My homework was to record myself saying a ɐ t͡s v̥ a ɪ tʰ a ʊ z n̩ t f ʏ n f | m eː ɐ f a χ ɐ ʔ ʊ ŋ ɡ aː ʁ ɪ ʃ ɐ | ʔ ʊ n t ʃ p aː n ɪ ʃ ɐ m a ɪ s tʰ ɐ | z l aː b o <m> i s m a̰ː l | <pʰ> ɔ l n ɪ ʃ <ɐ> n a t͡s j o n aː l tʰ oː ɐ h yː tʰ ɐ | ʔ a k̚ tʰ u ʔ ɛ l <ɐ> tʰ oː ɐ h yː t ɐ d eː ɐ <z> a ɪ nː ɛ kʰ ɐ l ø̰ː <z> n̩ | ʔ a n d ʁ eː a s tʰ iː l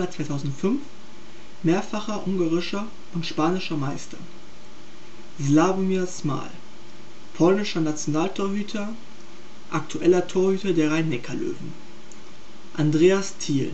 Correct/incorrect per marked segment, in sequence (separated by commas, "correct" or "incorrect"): correct, correct, correct, correct, incorrect, incorrect